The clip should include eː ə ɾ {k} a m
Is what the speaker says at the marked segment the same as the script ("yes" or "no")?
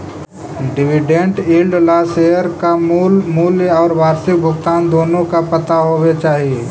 yes